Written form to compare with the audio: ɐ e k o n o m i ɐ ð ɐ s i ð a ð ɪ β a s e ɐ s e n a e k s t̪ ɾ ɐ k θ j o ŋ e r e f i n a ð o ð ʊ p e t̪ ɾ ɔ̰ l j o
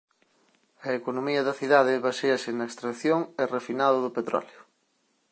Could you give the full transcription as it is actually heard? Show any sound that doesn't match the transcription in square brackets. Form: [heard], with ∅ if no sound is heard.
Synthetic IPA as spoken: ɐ e k o n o m i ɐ ð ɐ [θ] i ð a ð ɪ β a s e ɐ s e n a e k s t̪ ɾ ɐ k θ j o ŋ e r e f i n a ð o ð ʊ p e t̪ ɾ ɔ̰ l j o